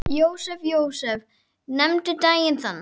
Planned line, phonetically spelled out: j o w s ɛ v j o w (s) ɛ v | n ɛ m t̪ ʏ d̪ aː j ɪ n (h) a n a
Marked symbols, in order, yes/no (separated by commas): yes, no